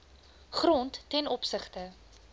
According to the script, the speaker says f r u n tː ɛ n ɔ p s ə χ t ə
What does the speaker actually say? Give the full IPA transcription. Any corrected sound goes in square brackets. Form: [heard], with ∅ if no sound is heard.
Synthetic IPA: [χ] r [ɔ] n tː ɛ n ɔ p s ə χ t ə